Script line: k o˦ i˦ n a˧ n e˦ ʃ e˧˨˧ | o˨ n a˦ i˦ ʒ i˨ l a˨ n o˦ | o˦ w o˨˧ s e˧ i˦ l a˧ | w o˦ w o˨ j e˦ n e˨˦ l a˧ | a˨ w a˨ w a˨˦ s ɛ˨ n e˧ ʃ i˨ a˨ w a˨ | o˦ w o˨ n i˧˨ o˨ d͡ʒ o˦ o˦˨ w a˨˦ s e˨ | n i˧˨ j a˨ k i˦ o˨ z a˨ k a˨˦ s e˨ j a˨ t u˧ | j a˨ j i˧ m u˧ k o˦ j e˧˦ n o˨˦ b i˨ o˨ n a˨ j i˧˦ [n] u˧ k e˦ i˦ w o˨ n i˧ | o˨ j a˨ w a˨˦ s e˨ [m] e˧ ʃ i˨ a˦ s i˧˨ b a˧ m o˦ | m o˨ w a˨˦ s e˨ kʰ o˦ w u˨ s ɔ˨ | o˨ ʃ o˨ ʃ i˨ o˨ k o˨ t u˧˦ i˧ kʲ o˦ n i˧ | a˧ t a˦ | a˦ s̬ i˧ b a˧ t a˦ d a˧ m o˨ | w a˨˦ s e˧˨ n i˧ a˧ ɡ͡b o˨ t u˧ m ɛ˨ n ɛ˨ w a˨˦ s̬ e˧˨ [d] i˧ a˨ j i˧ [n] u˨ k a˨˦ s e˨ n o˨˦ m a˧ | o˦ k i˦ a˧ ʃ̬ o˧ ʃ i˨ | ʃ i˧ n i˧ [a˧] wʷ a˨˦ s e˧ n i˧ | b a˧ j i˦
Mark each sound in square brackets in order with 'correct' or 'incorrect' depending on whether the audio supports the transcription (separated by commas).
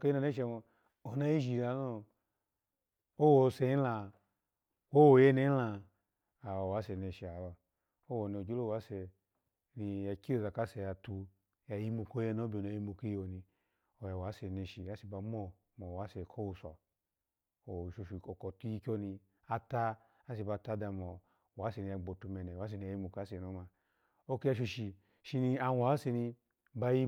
incorrect, incorrect, incorrect, incorrect, correct